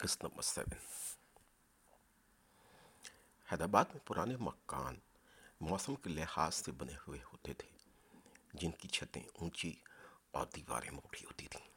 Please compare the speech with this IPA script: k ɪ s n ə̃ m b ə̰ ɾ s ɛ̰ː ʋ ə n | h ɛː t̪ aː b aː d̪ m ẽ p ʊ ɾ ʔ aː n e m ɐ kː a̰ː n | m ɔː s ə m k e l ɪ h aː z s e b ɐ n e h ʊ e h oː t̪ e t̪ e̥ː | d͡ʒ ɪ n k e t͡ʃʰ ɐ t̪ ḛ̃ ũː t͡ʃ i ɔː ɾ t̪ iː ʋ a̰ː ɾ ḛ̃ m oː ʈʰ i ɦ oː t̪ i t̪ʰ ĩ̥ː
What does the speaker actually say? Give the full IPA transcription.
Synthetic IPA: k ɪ s n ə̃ m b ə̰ ɾ s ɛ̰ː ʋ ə n | h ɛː d̪ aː b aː d̪ m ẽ p ʊ ɾ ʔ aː n e m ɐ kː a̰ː n | m ɔː s ə m k e l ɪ h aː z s e b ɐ n e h ʊ e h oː t̪ e t̪ʰ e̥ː | d͡ʒ ɪ n k i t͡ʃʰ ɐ t̪ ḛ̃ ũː t͡ʃ i ɔː ɾ d̪ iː ʋ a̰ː ɾ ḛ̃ m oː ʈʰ i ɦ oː t̪ i t̪ʰ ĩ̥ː